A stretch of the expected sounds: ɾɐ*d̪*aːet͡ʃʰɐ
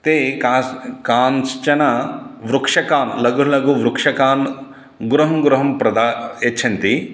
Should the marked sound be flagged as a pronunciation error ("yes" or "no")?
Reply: no